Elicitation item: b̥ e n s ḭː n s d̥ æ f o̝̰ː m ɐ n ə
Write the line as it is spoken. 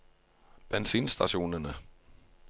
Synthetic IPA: b̥ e n s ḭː n s d̥ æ ɕ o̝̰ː n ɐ n ə